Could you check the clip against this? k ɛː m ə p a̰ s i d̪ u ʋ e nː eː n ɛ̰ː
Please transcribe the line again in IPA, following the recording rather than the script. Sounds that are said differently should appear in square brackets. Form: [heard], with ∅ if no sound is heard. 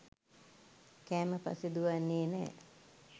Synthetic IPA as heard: k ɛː m ə p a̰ s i d̪ u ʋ [a] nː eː n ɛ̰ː